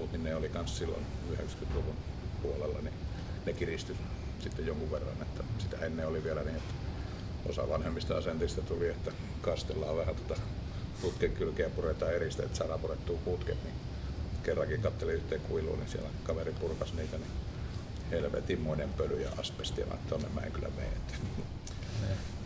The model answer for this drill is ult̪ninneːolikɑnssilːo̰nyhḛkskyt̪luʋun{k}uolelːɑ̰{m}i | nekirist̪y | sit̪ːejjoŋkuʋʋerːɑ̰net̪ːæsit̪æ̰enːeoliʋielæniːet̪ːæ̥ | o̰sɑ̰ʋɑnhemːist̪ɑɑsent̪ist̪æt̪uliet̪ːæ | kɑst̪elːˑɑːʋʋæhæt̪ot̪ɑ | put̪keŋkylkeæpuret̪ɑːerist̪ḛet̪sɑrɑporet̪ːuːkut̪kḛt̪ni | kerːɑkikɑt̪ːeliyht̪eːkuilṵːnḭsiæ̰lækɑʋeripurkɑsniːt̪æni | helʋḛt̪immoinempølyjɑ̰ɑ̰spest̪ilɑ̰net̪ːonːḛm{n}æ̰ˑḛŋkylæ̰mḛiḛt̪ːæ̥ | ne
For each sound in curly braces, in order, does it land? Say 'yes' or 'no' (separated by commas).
no, no, no